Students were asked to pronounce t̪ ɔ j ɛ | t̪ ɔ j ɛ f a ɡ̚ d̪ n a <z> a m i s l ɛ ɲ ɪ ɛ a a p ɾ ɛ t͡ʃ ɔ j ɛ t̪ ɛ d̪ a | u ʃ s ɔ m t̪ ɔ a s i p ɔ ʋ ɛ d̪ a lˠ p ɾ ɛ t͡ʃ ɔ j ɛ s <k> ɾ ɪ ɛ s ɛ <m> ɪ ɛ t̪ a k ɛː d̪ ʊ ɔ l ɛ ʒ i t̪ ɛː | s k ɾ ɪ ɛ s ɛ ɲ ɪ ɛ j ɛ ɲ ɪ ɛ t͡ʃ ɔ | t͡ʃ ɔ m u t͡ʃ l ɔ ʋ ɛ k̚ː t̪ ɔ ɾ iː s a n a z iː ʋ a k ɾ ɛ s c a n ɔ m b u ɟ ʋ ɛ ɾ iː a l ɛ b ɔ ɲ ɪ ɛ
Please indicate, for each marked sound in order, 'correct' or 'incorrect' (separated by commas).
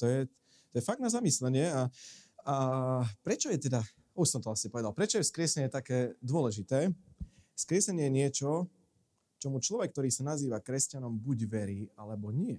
correct, correct, incorrect